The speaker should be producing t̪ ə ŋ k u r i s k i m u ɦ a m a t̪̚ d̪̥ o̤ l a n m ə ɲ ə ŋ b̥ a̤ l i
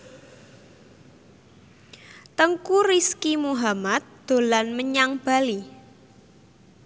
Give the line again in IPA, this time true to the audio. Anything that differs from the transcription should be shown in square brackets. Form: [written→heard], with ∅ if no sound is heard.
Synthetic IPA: t̪ ə ŋ k u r i s k i m u ɦ a m a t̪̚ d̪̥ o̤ l a n m ə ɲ [ə→a] ŋ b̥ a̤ l i